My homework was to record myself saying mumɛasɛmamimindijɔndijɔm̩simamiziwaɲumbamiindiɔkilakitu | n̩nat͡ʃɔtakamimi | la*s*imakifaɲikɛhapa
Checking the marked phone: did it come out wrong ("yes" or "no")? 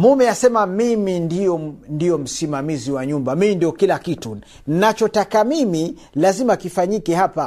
yes